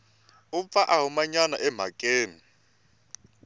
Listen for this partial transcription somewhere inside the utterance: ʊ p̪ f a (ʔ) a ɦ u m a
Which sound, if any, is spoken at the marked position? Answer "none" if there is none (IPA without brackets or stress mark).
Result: ʔ